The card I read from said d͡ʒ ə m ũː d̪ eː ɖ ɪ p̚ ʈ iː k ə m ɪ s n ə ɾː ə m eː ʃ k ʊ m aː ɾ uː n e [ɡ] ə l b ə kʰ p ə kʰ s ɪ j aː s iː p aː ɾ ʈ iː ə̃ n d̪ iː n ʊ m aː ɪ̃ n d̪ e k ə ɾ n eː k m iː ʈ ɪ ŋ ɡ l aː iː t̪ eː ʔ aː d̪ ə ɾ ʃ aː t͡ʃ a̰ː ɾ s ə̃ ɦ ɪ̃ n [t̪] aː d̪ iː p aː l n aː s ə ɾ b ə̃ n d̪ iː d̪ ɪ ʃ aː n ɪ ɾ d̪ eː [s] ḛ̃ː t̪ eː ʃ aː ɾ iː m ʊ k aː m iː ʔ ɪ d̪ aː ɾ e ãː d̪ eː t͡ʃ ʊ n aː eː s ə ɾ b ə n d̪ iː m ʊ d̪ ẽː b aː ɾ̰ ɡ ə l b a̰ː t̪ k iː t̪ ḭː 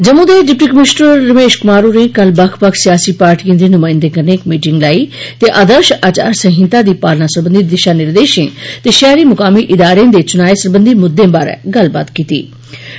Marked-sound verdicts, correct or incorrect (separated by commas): incorrect, correct, incorrect